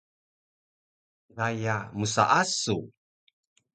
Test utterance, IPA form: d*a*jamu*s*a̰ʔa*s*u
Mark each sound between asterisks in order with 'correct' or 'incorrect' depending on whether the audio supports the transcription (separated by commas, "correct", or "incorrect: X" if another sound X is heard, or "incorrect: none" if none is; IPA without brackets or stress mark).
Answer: correct, correct, correct